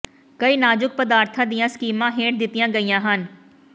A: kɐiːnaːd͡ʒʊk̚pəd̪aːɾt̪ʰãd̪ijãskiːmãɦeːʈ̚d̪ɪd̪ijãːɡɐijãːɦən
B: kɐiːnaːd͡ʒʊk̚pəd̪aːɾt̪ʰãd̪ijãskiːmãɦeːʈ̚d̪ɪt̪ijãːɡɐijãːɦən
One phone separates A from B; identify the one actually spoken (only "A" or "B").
B